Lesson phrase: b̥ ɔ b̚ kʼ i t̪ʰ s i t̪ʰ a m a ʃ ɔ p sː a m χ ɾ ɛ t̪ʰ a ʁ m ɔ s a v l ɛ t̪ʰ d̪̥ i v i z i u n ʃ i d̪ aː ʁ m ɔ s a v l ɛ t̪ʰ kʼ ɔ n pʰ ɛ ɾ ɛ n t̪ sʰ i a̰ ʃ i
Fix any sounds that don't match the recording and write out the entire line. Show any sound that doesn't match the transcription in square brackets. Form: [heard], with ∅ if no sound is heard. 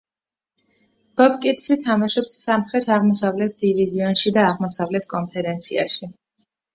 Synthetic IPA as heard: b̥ ɔ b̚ kʼ i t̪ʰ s i t̪ʰ a m a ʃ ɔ p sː a m χ ɾ ɛ t̪ʰ a ʁ m ɔ s a v l ɛ t̪ʰ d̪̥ i v i z i [ɔ] n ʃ i d̪ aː ʁ m ɔ s a v l ɛ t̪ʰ kʼ ɔ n pʰ ɛ ɾ ɛ n t̪ sʰ i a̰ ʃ i

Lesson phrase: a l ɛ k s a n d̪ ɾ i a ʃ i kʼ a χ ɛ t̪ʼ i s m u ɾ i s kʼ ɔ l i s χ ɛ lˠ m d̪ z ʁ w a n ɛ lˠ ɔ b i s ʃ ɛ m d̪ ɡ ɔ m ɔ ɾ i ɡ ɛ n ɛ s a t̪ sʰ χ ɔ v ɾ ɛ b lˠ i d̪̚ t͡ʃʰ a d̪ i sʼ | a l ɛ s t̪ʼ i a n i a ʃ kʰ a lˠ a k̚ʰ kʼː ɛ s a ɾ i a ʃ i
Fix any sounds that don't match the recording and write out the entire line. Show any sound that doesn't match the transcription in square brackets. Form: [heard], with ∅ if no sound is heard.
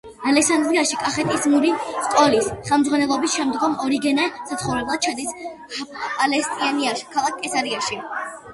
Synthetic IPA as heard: a l ɛ k s a n d̪ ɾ i a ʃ i kʼ a χ ɛ t̪ʼ i s m u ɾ i s kʼ ɔ l i s χ ɛ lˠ m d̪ z ʁ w a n ɛ lˠ ɔ b i s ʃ ɛ m d̪ ɡ ɔ m ɔ ɾ i ɡ ɛ n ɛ s a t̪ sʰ χ ɔ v ɾ ɛ b lˠ [a] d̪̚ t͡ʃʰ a d̪ i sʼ | a l ɛ s t̪ʼ i a n i a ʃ kʰ a lˠ a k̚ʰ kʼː ɛ s a ɾ i a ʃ i

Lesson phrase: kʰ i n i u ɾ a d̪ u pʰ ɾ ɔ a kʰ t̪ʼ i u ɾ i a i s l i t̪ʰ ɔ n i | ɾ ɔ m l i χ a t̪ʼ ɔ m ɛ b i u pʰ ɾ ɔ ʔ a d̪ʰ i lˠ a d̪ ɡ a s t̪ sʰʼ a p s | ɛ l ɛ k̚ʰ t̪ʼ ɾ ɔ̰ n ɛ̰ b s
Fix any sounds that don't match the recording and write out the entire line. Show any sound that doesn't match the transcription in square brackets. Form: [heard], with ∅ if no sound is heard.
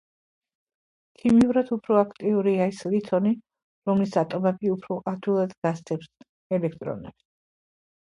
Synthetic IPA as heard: kʰ i [m] i u ɾ a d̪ u pʰ ɾ ɔ a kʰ t̪ʼ i u ɾ i a i s l i t̪ʰ ɔ n i | ɾ ɔ m l i [s] a t̪ʼ ɔ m ɛ b i u pʰ ɾ ɔ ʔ a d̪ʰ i lˠ a d̪ ɡ a s t̪ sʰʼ [ɛ] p s | ɛ l ɛ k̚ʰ t̪ʼ ɾ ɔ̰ n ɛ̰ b s

